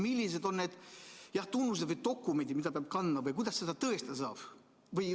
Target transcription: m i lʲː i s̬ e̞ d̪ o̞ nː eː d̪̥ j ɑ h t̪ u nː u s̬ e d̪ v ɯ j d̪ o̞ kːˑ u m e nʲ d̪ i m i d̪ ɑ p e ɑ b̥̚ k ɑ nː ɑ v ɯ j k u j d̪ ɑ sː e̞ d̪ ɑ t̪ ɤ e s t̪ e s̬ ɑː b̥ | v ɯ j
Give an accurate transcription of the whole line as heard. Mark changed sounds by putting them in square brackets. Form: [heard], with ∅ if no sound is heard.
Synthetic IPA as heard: m i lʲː i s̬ e̞ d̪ o̞ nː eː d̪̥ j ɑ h t̪ u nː u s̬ e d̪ v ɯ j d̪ o̞ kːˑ u m e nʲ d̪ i m i d̪ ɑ p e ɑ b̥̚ k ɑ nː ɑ v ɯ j k u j d̪ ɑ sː e̞ d̪ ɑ t̪ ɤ e s t̪ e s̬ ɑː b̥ | v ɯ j